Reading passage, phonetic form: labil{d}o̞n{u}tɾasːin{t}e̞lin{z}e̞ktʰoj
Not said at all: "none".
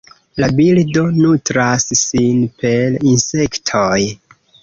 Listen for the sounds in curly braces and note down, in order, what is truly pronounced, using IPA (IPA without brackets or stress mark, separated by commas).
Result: d, u, p, s